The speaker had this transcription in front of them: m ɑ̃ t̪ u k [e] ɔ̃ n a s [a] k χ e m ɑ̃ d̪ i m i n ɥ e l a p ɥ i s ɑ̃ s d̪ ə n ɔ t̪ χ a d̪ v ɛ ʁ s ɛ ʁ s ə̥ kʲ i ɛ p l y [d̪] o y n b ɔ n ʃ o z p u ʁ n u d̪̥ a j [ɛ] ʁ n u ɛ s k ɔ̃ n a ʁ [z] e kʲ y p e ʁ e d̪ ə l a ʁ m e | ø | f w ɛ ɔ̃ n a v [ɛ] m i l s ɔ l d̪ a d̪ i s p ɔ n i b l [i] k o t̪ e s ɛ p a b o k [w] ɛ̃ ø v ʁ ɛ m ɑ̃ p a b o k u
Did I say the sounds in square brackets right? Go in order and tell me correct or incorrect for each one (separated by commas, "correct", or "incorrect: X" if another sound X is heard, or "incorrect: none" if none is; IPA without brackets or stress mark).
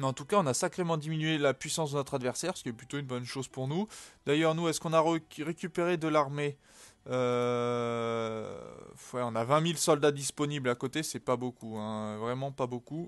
incorrect: a, correct, incorrect: t̪, incorrect: œ, incorrect: ʁ, incorrect: ɛ̃, incorrect: a, incorrect: u